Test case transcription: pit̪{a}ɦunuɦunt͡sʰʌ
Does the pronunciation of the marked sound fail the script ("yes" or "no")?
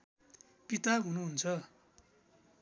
no